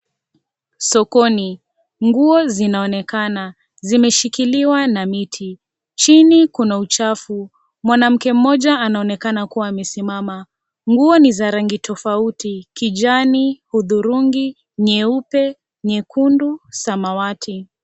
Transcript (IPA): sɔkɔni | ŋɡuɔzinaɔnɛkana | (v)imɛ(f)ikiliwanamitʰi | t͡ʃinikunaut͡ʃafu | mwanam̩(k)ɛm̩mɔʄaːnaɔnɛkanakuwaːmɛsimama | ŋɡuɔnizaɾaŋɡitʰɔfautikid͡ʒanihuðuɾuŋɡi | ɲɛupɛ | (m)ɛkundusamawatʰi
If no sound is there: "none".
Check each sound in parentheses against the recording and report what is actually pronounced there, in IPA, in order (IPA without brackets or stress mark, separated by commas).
z, ʃ, k, ɲ